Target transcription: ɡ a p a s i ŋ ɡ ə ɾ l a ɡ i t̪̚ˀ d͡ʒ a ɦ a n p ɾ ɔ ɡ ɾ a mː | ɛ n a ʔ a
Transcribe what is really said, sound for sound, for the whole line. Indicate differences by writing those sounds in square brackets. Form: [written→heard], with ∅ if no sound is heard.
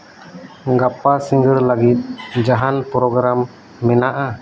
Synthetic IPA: ɡ a p a s i ŋ ɡ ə ɾ l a ɡ i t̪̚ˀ d͡ʒ a ɦ a n p ɾ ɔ ɡ ɾ a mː | ɛ n a ʔ a